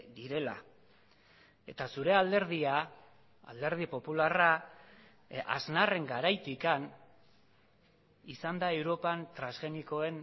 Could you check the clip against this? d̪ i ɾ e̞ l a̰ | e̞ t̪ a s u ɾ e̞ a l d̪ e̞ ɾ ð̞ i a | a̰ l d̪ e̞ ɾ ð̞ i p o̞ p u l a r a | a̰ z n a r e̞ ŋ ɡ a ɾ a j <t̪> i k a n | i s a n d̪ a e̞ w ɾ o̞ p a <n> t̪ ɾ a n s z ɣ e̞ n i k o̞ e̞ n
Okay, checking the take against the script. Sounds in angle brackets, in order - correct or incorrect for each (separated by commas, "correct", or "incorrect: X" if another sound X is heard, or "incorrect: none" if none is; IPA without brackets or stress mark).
correct, correct